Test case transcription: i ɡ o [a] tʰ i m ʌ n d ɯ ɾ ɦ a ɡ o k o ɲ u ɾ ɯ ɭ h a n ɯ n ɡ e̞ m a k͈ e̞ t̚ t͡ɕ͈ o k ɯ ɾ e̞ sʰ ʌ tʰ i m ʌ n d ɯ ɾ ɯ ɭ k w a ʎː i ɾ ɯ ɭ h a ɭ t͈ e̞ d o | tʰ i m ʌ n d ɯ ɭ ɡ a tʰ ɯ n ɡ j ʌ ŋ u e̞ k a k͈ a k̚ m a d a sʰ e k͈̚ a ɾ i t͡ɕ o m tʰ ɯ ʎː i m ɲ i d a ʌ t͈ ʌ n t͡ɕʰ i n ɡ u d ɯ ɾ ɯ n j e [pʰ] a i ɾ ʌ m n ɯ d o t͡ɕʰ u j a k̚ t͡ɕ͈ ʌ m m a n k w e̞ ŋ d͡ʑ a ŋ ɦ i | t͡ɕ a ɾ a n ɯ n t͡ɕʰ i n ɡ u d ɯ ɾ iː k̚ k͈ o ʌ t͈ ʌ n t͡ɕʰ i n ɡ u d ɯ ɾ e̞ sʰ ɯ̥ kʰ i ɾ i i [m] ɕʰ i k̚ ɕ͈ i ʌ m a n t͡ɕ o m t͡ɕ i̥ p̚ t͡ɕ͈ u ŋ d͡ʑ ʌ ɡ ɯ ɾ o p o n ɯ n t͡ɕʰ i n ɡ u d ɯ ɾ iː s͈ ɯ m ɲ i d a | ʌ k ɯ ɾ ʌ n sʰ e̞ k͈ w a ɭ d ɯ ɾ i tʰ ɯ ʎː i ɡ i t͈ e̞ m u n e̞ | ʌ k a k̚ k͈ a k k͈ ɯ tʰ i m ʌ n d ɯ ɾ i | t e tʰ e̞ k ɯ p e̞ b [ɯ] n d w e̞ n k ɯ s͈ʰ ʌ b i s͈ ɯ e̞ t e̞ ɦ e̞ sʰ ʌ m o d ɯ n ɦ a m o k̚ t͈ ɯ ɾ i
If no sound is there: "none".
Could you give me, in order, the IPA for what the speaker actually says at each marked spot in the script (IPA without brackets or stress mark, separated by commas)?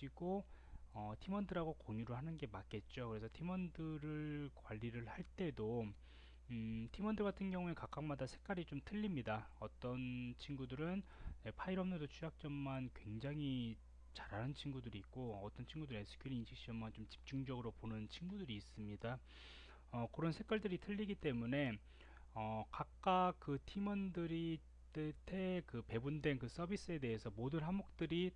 ʌ, pʰ, n, u